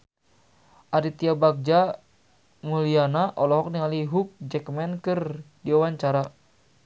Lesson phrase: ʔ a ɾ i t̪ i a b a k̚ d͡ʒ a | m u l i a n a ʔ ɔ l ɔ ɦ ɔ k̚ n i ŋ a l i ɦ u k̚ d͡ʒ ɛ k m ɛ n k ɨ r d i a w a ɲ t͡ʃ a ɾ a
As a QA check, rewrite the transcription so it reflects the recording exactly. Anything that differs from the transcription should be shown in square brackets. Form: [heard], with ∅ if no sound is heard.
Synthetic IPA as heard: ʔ a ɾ i t̪ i a b a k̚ d͡ʒ a | m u l i a n a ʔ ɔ l ɔ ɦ ɔ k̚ n i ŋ a l i ɦ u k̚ d͡ʒ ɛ k m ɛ n k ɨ r d i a w a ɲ t͡ʃ a ɾ a